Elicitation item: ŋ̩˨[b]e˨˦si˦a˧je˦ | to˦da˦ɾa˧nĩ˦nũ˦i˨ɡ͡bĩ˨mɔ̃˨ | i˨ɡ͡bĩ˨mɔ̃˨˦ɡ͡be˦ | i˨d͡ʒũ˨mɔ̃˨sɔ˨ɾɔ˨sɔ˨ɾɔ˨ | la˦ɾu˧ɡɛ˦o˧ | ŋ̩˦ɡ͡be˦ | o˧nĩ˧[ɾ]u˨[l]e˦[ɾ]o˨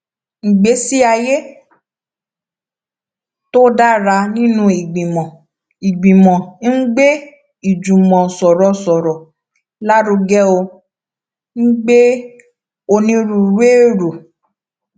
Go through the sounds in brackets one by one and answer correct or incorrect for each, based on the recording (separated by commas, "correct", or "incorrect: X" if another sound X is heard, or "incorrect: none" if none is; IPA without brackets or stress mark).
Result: incorrect: ɡ͡b, correct, incorrect: ɾ, correct